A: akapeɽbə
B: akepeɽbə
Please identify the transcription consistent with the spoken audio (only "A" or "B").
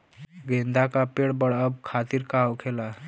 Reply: A